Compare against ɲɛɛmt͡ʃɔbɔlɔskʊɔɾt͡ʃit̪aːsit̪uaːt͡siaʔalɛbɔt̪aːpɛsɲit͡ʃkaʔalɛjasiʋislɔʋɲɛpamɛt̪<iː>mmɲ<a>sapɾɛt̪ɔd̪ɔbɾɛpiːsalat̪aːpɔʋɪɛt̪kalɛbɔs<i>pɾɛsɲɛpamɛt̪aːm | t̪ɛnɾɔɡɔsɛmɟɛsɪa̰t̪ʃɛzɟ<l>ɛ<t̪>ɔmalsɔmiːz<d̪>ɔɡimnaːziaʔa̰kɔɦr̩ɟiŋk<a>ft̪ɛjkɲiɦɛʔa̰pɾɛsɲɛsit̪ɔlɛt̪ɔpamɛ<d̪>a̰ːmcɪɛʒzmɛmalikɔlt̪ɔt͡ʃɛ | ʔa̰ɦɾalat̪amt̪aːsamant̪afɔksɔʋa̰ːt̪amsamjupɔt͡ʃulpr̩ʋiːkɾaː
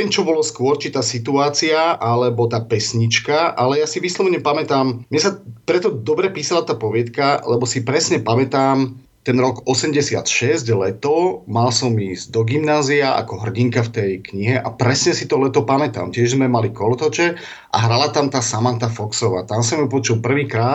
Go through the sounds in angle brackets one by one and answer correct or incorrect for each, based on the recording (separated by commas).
incorrect, incorrect, correct, correct, correct, correct, correct, incorrect